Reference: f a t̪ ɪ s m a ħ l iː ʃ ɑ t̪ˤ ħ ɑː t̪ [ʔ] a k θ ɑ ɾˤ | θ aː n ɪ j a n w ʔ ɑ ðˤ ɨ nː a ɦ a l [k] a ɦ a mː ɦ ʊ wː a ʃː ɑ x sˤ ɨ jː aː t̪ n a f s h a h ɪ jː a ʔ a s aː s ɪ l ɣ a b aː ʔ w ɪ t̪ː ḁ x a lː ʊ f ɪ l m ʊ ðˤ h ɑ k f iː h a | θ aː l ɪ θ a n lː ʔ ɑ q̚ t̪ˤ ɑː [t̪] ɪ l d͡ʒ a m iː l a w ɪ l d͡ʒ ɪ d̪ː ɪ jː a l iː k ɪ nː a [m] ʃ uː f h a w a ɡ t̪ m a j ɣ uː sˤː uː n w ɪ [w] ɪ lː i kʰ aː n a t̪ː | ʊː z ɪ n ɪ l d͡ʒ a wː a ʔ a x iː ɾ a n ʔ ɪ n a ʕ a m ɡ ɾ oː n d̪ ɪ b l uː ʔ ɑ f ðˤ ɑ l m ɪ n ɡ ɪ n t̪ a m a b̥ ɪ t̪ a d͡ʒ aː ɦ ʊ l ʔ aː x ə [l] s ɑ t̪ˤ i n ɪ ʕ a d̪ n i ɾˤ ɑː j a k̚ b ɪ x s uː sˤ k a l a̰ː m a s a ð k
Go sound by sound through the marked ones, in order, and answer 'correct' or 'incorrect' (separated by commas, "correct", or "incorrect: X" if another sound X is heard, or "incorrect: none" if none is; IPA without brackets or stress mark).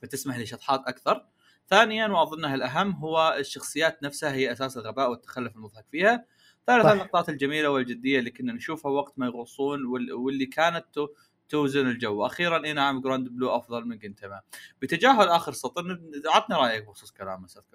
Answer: correct, incorrect: ʔ, correct, incorrect: n, correct, incorrect: ɾ